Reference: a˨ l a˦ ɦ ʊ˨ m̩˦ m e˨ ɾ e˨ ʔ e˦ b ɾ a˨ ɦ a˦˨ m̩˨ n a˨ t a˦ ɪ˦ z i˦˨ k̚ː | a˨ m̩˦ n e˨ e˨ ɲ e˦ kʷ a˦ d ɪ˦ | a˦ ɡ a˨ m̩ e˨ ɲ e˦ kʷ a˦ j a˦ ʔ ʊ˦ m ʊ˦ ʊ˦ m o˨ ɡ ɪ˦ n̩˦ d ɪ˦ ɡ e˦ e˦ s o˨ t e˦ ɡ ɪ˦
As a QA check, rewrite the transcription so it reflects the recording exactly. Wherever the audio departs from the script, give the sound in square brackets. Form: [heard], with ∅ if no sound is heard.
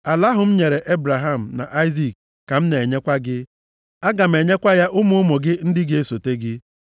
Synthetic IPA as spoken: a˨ l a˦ ɦ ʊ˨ m̩˦ [ɲ] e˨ ɾ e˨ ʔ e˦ b ɾ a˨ ɦ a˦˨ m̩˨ n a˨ [ʔ] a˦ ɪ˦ z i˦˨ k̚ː | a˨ m̩˦ n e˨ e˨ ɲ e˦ kʷ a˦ [ɡ] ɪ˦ | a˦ ɡ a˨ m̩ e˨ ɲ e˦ kʷ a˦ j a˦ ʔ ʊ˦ m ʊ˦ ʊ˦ m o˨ ɡ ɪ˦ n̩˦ d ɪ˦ ɡ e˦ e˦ s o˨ t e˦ ɡ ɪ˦